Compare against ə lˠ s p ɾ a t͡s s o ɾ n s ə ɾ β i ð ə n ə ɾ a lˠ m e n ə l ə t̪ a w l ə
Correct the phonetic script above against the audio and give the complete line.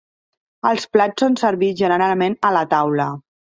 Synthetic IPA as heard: ə lˠ s p l a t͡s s o n s ə ɾ β i ʒ ə n ə ɾ a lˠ m e n ə l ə t̪ a w l ə